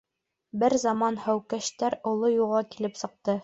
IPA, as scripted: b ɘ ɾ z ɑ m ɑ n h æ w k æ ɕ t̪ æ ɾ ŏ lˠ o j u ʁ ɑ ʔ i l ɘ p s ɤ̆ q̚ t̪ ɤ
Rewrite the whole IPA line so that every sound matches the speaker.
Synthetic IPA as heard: b ɘ ɾ z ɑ m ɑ n h æ w k æ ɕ t̪ æ ɾ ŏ lˠ o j u ʁ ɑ k i l ɘ p s ɤ̆ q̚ t̪ ɤ